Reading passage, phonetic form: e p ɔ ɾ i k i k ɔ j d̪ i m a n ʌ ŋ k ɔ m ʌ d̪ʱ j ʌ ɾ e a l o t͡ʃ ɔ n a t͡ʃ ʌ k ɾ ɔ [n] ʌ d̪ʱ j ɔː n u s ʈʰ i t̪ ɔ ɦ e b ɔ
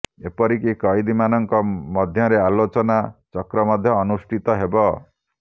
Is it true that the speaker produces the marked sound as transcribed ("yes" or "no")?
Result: no